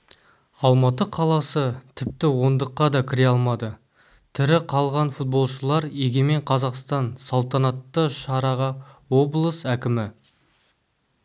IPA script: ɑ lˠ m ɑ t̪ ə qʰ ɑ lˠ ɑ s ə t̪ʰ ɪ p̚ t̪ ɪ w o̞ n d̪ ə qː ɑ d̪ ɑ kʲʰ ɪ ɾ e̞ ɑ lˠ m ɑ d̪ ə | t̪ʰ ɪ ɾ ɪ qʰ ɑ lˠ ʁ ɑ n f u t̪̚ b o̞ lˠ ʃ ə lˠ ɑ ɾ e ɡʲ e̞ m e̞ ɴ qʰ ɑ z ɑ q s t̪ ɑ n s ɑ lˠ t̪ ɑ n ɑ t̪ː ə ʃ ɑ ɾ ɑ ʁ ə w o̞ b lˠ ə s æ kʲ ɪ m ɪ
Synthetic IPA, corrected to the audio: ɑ lˠ m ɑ t̪ ə qʰ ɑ lˠ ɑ s ə t̪ʰ ɪ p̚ t̪ ɪ w o̞ n d̪ ə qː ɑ d̪ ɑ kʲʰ ɪ ɾ e̞ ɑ lˠ m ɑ d̪ ə | t̪ʰ ɪ ɾ ɪ qʰ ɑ lˠ ʁ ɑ n f u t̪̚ b o̞ lˠ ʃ ə lˠ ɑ ɾ e ɡʲ e̞ m e̞ ɴ qʰ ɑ z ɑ q s t̪ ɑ n s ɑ lˠ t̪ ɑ n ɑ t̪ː ə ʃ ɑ ɾ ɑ ʁ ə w o̞ b lˠ ə s æ kʲ ɪ m ɪ